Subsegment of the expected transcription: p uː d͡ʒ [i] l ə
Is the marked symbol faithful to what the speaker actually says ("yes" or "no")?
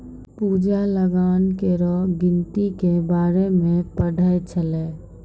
no